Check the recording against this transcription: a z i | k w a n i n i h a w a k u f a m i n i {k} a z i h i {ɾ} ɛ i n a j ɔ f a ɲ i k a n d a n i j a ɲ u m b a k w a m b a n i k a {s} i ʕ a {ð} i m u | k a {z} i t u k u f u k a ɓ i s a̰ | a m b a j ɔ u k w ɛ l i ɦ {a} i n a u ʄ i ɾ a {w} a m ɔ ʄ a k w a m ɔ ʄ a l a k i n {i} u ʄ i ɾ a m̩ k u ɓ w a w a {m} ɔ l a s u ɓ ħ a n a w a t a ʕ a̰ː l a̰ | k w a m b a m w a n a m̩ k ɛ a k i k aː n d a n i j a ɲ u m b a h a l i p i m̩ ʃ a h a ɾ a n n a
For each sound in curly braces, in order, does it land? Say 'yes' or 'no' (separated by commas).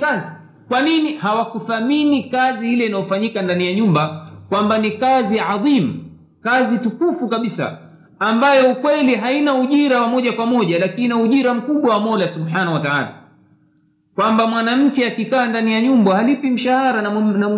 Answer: yes, no, no, yes, yes, yes, yes, no, yes